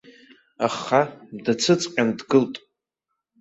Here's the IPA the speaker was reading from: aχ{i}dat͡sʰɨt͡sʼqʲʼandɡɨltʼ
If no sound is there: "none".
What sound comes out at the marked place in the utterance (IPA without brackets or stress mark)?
a